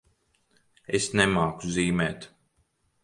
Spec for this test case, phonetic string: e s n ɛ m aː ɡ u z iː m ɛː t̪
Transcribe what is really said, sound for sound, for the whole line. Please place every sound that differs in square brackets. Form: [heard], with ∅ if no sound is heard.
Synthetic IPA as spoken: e s n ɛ m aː [k] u z iː m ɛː t̪